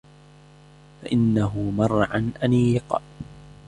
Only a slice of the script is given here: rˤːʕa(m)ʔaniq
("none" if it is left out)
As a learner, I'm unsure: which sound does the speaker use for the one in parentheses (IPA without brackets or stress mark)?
n